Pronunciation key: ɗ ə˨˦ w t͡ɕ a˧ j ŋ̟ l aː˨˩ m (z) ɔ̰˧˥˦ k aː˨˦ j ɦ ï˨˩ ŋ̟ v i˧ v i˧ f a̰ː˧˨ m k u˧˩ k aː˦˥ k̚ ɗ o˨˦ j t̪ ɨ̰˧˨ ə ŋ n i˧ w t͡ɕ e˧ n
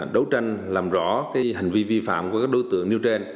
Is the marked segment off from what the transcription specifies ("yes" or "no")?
no